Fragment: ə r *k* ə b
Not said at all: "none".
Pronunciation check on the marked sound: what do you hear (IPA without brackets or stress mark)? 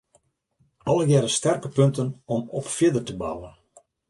t